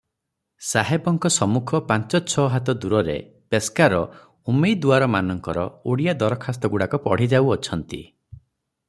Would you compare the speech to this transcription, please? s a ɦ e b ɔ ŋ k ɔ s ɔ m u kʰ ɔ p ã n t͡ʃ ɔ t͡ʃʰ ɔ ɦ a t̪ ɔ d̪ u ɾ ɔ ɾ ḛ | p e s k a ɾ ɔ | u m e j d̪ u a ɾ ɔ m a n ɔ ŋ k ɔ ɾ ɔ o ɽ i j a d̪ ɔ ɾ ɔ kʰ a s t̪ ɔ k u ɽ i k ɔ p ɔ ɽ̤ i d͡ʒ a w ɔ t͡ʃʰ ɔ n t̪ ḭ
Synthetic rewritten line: s a ɦ e b ɔ ŋ k ɔ s ɔ m u kʰ ɔ p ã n t͡ʃ ɔ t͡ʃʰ ɔ ɦ a t̪ ɔ d̪ u ɾ ɔ ɾ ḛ | p e s k a ɾ ɔ | u m e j d̪ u a ɾ ɔ m a n ɔ ŋ k ɔ ɾ ɔ o ɽ i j a d̪ ɔ ɾ ɔ kʰ a s t̪ ɔ ɡ u ɽ a k ɔ p ɔ ɽ̤ i d͡ʒ a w ɔ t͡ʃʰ ɔ n t̪ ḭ